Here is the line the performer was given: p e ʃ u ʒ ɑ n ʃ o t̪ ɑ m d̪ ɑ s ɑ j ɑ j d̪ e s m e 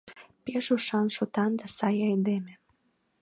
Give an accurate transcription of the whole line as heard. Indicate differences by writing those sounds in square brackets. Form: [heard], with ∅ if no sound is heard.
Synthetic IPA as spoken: p e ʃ u [ʃ] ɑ n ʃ o t̪ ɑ [n] d̪ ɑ s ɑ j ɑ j d̪ e [∅] m e